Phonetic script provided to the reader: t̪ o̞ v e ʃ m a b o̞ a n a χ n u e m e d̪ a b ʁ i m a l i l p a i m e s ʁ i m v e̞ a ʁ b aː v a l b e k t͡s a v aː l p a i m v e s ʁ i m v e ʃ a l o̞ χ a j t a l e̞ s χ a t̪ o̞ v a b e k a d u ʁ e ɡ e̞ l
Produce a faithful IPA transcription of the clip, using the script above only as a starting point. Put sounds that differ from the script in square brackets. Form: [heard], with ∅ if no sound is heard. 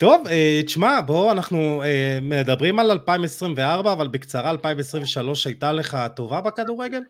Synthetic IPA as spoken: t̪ o̞ v e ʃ m a b o̞ a n a χ n u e m e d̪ a b ʁ i m a l [a] l p a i m e s ʁ i m v e̞ a ʁ b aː v a l b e k t͡s a [ʁ] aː l p a i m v e s ʁ i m v e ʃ a l o̞ [ʃ] a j t a l e̞ [∅] χ a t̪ o̞ v a b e k a d u ʁ e ɡ e̞ l